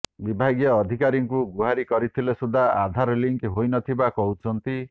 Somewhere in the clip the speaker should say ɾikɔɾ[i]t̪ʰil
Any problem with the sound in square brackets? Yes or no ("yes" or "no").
no